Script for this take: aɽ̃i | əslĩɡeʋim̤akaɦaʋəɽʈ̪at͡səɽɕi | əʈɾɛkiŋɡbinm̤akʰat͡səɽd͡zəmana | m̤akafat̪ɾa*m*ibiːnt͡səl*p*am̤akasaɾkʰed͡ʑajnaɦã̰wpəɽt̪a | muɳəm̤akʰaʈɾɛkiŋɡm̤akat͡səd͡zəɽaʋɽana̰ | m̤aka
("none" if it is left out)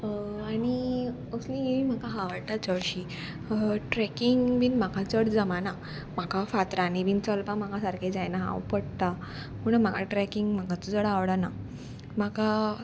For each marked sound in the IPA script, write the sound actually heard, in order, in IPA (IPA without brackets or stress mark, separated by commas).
n, p